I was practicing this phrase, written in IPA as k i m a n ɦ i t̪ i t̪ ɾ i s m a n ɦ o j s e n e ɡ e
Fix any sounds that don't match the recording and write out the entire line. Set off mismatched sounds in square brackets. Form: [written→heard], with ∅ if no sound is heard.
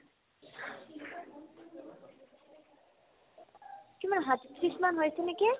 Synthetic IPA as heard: k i m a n ɦ [i→a] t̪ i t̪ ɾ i s m a n ɦ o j s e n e [ɡ→k] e